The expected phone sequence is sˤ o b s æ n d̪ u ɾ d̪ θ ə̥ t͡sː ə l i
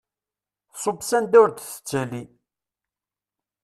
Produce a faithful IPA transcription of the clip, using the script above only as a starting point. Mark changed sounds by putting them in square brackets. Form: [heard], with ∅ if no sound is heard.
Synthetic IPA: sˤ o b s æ n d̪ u ɾ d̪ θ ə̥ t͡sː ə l i

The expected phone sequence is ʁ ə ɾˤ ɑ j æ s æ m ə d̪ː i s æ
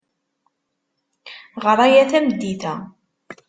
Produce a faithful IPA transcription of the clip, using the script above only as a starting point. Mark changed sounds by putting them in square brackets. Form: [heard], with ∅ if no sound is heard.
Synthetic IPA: ʁ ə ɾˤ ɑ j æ [θ] æ m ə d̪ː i [θ] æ

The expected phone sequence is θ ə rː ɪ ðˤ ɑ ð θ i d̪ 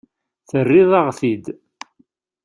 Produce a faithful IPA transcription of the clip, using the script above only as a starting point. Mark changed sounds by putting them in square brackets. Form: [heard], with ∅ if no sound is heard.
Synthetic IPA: θ ə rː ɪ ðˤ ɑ [ʁ] θ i d̪

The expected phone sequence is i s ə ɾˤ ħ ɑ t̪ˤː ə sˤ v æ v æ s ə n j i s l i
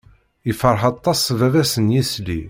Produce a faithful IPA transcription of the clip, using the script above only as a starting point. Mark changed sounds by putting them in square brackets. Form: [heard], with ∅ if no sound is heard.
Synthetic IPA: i [f] ə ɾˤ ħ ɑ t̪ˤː [ɑ] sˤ v æ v æ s ə n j i s l i

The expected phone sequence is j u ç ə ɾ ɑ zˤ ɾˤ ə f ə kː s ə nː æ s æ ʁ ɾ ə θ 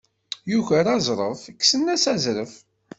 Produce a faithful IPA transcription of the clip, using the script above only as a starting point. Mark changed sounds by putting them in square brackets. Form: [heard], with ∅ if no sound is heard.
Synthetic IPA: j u ç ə ɾ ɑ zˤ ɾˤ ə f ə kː s ə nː æ s æ [z] ɾ ə [f]

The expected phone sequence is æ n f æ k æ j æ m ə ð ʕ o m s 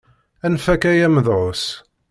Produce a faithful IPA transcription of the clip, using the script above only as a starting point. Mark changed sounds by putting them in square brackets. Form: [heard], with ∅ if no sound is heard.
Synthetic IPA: æ n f æ k æ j æ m ə ð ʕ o [∅] s

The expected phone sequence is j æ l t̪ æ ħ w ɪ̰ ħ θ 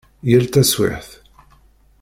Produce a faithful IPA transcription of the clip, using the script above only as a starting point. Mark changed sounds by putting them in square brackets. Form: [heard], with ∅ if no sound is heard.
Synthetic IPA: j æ l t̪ æ [s] w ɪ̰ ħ θ

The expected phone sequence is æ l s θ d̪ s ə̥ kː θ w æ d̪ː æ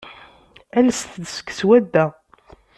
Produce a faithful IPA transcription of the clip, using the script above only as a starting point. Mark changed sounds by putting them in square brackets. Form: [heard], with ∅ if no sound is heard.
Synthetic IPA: æ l s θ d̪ s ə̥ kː [s] w æ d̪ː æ

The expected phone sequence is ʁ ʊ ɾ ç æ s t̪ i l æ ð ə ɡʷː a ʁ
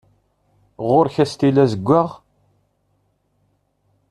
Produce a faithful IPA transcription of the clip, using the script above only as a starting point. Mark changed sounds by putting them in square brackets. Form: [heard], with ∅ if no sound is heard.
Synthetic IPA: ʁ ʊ ɾ ç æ s t̪ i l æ [z] ə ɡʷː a ʁ

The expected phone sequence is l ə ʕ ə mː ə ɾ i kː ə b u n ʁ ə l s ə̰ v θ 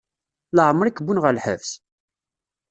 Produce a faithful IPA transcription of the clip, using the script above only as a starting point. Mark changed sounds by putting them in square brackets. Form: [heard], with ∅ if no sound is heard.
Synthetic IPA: l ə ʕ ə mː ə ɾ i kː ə b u n ʁ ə l [ħ] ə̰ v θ

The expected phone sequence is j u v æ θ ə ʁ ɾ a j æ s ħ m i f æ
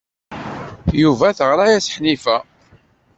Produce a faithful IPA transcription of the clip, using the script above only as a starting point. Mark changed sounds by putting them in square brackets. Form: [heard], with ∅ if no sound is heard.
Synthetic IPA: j u v æ θ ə ʁ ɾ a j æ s ħ [n] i f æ

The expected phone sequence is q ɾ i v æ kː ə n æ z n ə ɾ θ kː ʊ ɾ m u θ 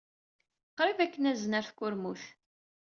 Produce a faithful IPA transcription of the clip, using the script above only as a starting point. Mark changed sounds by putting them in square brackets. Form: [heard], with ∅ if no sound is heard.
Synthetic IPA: q ɾ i v æ kː ə n æ z n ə ɾ θ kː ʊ ɾ m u θ

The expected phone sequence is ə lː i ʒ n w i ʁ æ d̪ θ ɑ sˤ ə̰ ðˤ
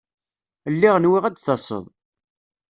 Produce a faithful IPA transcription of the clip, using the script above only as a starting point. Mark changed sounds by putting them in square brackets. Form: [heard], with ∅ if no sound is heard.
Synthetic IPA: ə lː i [ʁ] n w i ʁ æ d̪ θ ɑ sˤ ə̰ ðˤ

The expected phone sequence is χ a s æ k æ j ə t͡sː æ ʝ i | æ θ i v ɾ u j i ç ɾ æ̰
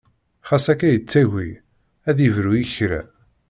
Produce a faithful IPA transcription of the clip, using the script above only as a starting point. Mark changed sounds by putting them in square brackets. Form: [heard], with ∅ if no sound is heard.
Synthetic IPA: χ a s æ k æ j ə t͡sː æ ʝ i | æ [ð] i v ɾ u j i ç ɾ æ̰

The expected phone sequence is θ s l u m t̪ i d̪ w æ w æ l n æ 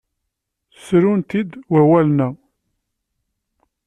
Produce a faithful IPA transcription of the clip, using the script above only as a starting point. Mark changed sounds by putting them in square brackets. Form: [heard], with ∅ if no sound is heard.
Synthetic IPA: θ s [ɾ] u [n] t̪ i d̪ w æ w æ l n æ

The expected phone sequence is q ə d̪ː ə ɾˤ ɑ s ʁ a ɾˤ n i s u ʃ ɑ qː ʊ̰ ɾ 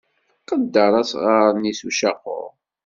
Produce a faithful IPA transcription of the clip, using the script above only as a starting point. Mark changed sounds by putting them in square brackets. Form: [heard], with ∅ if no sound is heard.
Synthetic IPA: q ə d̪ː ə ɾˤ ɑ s ʁ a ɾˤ n i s u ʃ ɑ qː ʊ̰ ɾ

